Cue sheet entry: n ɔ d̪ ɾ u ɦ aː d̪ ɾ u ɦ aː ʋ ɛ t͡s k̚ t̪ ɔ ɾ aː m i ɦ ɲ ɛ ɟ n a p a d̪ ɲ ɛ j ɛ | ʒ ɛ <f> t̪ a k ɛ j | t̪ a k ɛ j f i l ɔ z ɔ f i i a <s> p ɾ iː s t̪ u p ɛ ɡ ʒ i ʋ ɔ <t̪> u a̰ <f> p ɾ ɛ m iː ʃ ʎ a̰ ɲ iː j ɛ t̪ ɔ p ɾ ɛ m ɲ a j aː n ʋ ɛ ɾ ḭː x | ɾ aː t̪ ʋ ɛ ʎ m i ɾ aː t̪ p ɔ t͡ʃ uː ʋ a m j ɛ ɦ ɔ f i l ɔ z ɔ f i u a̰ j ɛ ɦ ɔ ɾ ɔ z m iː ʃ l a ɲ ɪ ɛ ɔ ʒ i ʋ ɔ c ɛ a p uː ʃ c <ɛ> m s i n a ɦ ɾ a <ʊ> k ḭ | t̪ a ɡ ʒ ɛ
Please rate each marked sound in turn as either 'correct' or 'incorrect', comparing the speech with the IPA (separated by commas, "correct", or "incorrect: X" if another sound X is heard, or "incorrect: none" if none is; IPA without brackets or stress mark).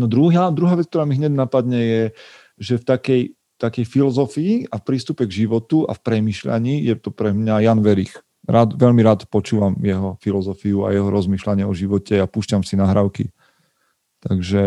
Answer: correct, incorrect: f, correct, correct, incorrect: a, correct